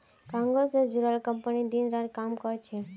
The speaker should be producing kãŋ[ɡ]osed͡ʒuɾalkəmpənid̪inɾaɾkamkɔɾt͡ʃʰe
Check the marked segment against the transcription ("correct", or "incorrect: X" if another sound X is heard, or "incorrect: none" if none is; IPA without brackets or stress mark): correct